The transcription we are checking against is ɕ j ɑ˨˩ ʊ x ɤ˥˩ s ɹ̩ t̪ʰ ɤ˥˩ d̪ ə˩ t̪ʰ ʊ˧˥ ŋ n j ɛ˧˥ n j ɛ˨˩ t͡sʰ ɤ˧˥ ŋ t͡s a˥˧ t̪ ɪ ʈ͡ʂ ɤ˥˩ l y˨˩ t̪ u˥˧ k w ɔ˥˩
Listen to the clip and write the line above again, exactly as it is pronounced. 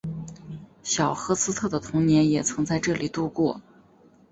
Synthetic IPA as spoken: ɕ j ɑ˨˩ ʊ x ɤ˧˥ s ɹ̩ t̪ʰ ɤ˥˩ d̪ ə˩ t̪ʰ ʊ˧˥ ŋ n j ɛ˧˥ n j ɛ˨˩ t͡sʰ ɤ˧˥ ŋ t͡s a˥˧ ɪ ʈ͡ʂ ɤ˥˩ l i˨˩ t̪ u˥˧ k w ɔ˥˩